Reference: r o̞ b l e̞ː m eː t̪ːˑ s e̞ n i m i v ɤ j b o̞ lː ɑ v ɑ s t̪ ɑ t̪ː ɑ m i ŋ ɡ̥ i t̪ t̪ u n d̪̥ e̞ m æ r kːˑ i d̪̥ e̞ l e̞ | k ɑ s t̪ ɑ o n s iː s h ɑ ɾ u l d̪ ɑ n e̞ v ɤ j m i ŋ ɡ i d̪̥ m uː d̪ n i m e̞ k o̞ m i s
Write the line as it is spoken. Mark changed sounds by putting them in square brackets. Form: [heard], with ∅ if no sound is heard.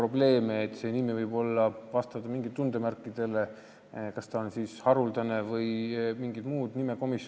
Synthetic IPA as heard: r o̞ b l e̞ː m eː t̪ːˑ s e̞ n i m i v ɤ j b o̞ lː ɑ v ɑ s t̪ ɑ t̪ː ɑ m i ŋ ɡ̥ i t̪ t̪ u n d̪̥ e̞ m æ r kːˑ i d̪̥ e̞ l e̞ | k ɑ s t̪ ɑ o n s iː s h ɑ ɾ u l d̪ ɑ n e̞ v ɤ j m i ŋ ɡ i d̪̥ m uː d̪ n i m e̞ k o̞ m i s